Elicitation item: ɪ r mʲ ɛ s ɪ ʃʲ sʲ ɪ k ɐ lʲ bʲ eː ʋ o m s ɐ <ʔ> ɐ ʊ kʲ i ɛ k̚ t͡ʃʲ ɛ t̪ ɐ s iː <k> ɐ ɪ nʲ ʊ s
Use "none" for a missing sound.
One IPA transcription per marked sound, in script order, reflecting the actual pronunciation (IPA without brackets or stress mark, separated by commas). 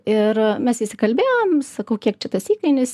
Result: k, k